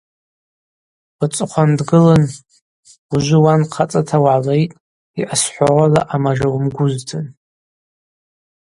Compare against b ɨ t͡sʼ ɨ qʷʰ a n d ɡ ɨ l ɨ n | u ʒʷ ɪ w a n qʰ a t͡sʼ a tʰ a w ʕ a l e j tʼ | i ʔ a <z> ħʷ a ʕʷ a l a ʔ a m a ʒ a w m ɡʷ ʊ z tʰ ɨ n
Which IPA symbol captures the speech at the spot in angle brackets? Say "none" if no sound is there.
s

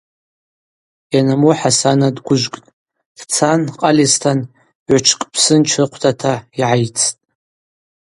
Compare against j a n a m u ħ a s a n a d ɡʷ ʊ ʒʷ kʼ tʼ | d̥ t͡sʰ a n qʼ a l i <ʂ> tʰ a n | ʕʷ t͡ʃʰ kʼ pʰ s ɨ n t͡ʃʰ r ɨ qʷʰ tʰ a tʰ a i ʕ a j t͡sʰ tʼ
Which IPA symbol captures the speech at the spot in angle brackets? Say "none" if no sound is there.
s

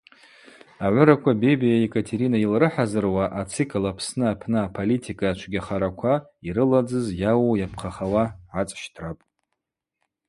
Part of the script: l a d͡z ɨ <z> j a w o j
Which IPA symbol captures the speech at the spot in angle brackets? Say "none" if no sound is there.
z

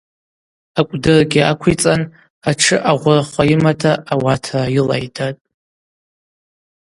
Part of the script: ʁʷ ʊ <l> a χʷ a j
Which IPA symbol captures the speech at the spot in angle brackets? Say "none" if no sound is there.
r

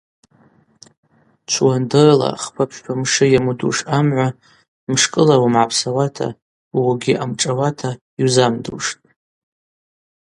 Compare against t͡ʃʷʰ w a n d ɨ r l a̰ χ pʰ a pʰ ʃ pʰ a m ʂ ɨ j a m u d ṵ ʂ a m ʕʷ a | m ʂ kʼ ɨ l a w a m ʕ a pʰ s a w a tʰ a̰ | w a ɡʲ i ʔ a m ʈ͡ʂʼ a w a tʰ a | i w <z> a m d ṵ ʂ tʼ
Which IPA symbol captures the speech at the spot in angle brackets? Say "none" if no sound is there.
z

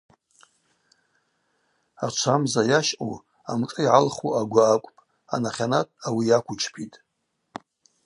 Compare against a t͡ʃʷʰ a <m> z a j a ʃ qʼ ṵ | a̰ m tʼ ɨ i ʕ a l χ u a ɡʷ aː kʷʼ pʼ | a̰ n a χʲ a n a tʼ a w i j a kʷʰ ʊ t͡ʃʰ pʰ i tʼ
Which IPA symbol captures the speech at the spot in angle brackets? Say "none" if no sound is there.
m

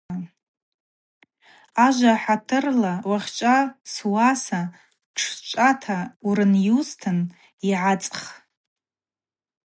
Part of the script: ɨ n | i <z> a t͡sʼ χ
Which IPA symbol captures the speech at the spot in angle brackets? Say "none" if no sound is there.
ʕ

